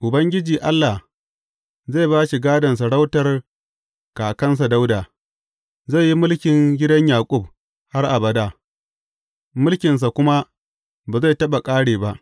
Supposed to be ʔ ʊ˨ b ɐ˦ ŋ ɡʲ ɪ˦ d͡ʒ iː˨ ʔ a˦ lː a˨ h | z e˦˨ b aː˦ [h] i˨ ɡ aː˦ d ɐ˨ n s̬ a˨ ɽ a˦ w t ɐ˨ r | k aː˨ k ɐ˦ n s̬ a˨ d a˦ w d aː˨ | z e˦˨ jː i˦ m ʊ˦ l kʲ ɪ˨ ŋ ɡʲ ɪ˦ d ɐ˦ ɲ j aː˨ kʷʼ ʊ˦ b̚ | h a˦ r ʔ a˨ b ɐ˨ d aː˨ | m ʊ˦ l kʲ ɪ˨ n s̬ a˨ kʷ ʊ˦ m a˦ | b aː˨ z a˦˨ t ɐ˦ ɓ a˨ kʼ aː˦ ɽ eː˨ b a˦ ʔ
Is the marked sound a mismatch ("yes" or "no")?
yes